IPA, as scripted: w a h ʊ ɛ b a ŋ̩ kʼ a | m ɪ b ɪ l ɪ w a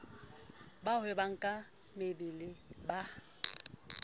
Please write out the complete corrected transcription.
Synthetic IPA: b a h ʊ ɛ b a ŋ̩ kʼ a | m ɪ b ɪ l ɪ b a